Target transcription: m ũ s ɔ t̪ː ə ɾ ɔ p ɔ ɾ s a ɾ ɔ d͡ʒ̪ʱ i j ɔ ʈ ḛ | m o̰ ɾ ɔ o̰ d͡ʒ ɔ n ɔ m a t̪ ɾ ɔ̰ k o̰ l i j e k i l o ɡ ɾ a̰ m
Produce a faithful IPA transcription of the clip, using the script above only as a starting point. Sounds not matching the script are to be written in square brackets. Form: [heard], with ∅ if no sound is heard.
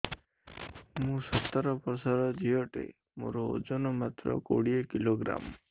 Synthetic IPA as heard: m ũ s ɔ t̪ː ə ɾ ɔ p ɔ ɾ s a ɾ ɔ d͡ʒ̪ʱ i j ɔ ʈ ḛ | m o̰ ɾ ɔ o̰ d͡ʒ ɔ n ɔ m a t̪ ɾ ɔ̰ k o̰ [ɽ] i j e k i l o ɡ ɾ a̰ m